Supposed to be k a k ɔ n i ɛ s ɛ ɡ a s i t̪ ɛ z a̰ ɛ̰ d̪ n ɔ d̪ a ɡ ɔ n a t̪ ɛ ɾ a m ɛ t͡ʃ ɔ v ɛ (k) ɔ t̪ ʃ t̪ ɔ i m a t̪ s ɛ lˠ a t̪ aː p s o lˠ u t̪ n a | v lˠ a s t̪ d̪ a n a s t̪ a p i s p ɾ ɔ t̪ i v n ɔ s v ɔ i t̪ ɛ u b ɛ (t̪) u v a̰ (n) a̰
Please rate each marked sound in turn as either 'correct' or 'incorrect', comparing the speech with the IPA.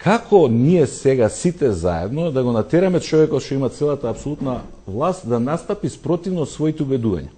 correct, incorrect: d̪, incorrect: ɲ

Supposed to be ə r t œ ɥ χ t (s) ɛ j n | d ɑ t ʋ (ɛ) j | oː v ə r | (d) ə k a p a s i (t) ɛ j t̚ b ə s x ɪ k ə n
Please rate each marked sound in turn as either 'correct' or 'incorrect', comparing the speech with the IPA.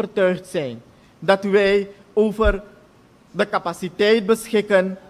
correct, correct, correct, correct

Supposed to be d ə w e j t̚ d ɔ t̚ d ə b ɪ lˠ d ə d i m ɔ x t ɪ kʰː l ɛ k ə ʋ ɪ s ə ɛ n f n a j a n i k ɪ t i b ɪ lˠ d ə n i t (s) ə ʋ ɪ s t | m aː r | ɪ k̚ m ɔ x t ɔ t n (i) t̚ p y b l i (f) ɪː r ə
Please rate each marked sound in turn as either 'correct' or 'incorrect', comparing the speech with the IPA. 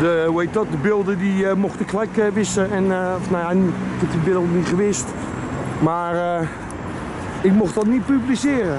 incorrect: χ, correct, incorrect: s

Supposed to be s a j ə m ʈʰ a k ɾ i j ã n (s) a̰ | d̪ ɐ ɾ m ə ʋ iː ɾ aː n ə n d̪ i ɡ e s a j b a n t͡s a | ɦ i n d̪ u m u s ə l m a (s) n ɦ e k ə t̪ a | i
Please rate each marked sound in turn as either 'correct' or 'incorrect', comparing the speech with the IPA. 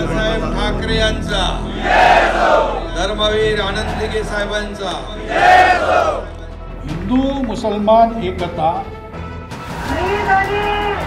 incorrect: t͡s, incorrect: none

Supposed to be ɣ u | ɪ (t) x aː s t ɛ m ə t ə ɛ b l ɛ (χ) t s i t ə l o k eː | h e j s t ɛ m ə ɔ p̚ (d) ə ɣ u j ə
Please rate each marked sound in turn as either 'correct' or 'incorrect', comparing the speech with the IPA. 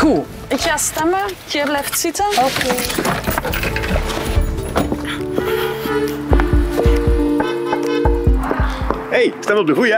incorrect: k, incorrect: f, correct

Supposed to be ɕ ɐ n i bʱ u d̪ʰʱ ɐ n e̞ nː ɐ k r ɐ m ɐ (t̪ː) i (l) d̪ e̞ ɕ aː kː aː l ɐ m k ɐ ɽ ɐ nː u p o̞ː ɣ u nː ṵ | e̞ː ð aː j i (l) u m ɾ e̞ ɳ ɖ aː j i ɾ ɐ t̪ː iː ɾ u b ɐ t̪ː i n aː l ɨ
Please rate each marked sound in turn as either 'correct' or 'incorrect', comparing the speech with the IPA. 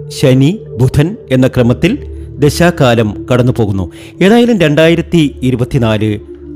correct, correct, correct

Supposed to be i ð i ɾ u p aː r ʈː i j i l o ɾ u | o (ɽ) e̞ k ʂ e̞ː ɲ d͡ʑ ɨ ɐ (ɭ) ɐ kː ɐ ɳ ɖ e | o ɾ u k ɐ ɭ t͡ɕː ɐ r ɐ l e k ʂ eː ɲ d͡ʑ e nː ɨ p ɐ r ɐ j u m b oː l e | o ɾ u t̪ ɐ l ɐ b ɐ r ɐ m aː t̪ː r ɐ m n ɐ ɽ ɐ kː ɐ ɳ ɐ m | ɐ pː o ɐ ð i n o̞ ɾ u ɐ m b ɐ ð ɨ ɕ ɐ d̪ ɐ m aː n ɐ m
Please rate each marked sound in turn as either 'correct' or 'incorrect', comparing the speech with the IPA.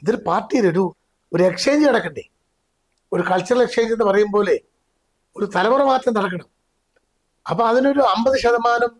incorrect: ɾ, incorrect: ɽ

